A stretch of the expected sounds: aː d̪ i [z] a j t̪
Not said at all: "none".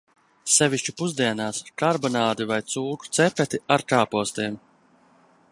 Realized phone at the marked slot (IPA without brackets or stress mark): v